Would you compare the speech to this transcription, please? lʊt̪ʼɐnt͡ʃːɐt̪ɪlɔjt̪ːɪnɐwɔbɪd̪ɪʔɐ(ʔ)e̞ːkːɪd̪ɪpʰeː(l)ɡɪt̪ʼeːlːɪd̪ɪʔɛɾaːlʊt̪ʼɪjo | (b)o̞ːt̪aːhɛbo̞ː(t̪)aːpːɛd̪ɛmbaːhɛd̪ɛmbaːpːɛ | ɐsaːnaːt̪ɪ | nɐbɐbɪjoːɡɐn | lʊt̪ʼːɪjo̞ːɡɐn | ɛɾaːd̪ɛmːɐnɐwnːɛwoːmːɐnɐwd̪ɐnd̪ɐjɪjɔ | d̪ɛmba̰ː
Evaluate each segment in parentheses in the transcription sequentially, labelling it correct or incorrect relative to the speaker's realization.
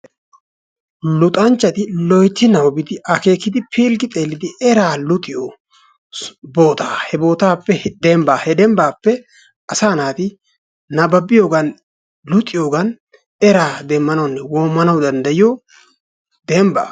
incorrect: k, correct, correct, correct

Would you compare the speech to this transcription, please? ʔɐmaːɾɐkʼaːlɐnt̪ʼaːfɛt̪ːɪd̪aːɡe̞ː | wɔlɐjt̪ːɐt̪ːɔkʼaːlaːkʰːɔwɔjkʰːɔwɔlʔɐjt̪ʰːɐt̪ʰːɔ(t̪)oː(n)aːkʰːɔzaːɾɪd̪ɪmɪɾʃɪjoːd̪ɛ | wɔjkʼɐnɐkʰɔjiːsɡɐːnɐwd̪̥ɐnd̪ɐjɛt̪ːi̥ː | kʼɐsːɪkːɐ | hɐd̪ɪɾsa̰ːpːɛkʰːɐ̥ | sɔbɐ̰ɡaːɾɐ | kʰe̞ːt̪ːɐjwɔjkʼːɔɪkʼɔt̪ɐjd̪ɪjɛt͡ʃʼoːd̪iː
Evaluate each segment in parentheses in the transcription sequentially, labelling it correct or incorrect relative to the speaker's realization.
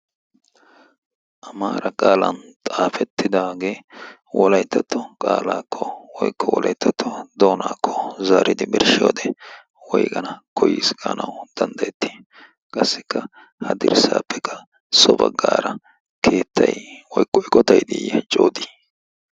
incorrect: d̪, correct

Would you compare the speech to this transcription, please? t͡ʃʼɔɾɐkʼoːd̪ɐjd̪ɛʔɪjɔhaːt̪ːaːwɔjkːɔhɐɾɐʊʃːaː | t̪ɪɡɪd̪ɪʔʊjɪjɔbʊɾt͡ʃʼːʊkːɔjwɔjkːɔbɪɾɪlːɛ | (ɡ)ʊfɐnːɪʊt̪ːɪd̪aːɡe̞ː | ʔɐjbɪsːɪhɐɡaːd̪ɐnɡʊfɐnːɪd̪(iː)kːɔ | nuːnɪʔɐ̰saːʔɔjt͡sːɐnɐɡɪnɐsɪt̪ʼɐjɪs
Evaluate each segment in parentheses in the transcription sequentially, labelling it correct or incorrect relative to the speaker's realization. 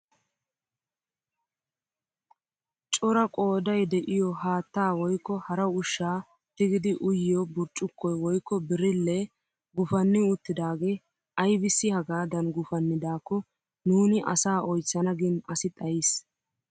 correct, incorrect: aː

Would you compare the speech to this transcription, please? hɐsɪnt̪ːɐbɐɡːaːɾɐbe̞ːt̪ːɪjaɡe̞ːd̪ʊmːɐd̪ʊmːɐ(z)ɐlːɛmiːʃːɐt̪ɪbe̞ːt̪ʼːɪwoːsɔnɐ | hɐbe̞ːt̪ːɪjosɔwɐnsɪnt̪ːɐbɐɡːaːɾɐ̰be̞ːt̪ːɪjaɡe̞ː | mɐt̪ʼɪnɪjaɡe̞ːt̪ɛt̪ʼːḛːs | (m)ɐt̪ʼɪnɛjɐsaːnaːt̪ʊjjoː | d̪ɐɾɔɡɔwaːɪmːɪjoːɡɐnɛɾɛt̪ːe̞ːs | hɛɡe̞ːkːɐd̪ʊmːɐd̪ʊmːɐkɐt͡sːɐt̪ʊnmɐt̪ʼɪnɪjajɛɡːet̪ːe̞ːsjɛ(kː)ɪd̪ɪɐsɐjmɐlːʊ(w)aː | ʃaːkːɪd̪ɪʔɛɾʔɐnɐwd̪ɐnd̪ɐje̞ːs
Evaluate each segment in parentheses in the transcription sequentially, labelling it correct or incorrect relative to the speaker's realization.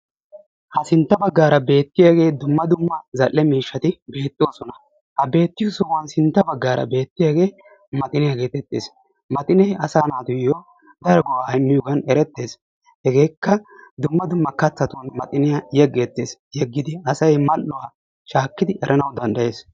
correct, correct, incorrect: ɡː, correct

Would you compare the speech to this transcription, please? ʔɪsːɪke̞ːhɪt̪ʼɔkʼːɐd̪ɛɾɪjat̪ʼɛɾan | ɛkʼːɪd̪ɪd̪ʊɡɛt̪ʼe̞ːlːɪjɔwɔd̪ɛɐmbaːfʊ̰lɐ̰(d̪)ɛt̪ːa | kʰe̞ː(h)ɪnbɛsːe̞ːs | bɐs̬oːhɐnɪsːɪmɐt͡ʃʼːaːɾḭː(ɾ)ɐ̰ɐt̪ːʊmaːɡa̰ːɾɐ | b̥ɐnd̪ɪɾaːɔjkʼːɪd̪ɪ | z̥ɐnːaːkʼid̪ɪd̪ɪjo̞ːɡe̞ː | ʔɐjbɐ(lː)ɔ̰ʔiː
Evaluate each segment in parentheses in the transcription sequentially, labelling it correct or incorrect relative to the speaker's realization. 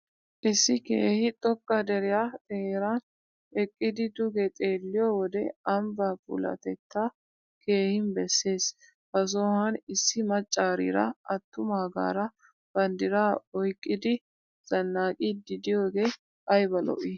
incorrect: t̪, correct, correct, incorrect: l

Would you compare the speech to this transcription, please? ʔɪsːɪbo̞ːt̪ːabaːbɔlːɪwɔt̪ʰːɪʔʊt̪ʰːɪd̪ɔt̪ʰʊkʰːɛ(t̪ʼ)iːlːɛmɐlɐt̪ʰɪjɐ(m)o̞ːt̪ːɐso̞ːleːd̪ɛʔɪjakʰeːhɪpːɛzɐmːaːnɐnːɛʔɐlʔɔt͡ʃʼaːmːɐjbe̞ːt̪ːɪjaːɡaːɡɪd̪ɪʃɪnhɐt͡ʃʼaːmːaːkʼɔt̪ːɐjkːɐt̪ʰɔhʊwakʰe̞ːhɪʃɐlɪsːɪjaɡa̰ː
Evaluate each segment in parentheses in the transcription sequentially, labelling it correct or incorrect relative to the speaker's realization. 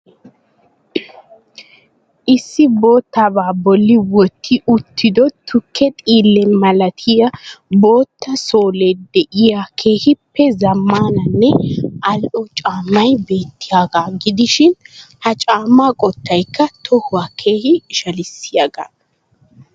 correct, incorrect: b

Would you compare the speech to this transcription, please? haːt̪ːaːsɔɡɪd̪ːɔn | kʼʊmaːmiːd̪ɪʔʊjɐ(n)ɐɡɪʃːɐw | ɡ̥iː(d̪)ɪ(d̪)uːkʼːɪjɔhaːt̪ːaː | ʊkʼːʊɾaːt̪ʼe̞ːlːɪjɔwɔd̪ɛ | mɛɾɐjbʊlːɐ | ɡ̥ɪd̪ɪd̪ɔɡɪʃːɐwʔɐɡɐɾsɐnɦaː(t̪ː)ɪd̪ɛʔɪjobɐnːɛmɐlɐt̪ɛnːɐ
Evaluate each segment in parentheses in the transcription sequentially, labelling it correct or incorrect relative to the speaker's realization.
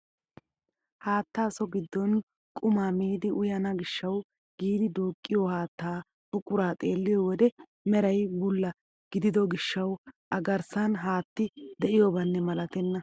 correct, correct, correct, correct

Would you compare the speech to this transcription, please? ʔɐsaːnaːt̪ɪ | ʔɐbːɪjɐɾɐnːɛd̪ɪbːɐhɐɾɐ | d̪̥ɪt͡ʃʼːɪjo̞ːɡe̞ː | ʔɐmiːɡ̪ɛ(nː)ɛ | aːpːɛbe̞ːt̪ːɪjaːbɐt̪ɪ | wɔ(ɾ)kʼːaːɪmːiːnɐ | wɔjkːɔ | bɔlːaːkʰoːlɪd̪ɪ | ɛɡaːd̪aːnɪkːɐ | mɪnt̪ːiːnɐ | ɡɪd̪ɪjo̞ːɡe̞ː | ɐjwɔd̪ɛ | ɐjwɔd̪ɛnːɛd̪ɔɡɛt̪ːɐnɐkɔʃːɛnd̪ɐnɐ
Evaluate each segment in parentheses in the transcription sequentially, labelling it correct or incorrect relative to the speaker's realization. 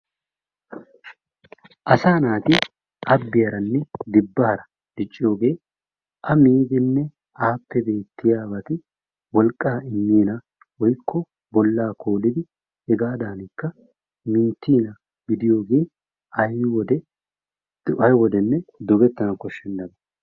correct, incorrect: l

